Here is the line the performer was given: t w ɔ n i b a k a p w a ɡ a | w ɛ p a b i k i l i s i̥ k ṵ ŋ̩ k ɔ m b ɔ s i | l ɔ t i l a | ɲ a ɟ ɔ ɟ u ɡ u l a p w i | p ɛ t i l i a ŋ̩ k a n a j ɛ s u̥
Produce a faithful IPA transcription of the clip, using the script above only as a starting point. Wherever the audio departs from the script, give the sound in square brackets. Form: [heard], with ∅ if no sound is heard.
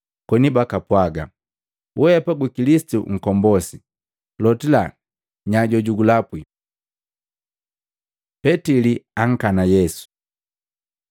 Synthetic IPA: [k] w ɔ n i b a k a p w a ɡ a | w ɛ p a [ɡ] i k i l i s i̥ [t] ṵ ŋ̩ k ɔ m b ɔ s i | l ɔ t i l a | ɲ a ɟ ɔ ɟ u ɡ u l a p w i | p ɛ t i l i a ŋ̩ k a n a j ɛ s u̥

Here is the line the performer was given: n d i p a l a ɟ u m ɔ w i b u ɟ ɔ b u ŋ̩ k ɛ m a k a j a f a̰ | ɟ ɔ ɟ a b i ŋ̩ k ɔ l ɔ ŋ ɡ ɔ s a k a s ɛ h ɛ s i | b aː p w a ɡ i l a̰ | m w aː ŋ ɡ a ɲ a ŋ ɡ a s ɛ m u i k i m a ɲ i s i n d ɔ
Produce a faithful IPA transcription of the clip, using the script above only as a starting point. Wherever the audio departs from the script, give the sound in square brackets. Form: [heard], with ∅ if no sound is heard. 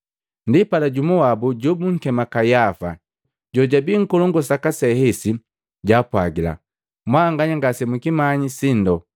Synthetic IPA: n d i p a l a ɟ u m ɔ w [a] b u ɟ ɔ b u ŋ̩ k ɛ m a k a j a f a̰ | ɟ ɔ ɟ a b i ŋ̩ k ɔ l ɔ ŋ ɡ ɔ s a k a s ɛ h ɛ s i | [ɟ] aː p w a ɡ i l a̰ | m w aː ŋ ɡ a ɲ a ŋ ɡ a s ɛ m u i k i m a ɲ i s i n d ɔ

